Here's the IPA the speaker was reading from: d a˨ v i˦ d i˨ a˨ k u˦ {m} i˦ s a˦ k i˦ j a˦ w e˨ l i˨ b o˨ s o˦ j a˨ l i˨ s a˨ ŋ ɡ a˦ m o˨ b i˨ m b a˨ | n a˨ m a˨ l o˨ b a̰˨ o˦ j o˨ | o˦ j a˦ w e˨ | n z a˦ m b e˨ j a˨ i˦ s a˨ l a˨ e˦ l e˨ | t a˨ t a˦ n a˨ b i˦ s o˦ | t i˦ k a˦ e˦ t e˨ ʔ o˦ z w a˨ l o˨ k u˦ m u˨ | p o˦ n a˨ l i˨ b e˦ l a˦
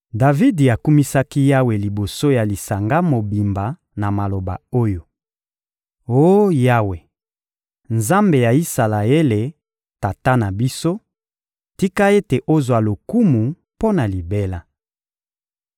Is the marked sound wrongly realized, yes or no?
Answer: no